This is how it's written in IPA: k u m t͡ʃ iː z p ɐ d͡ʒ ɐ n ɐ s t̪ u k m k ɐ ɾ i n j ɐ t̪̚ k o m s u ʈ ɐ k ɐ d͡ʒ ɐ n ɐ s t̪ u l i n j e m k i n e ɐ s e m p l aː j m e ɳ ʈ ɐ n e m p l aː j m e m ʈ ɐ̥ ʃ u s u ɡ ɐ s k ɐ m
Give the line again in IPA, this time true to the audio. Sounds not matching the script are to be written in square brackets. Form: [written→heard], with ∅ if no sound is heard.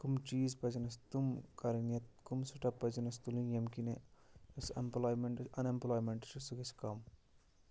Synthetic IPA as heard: k u m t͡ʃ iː z p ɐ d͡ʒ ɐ n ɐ s t̪ u [k→∅] m k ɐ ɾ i n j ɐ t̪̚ k [o→u] m s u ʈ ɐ [k→p] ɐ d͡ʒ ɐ n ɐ s t̪ u l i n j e m k i n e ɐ s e m p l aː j m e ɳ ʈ ɐ n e m p l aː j m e [m→ɳ] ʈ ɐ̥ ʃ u s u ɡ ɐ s k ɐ m